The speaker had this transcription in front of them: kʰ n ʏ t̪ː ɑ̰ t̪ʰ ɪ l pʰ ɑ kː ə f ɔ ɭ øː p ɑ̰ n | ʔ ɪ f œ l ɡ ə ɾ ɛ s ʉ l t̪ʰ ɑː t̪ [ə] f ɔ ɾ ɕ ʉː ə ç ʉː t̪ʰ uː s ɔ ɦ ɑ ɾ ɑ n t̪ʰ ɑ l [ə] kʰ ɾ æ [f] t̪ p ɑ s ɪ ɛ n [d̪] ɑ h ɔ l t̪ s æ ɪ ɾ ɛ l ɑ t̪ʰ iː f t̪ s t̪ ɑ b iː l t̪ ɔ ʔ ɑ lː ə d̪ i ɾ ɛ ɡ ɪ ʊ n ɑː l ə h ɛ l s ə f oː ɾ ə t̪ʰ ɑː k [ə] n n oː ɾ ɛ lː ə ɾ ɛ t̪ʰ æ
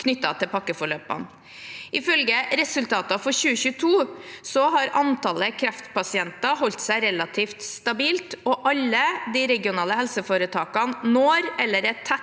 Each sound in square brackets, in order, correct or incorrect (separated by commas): incorrect, correct, correct, incorrect, incorrect